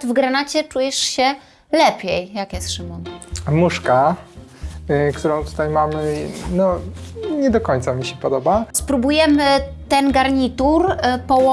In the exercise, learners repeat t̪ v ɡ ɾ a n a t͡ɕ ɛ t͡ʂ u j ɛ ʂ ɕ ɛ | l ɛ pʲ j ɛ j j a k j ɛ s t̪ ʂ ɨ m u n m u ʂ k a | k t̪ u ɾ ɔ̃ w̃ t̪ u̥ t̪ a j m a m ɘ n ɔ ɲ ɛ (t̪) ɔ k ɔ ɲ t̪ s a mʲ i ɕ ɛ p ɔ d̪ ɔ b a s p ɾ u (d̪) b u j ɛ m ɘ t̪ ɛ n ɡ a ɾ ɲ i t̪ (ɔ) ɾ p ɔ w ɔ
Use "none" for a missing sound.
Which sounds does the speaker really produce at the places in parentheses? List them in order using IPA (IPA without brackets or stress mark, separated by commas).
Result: d̪, none, u